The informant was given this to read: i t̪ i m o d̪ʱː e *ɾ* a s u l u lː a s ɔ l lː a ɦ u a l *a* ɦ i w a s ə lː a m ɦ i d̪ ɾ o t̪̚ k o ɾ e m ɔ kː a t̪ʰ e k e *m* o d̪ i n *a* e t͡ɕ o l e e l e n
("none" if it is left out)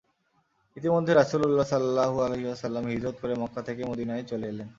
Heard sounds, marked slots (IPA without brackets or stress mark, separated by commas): ɾ, e, m, a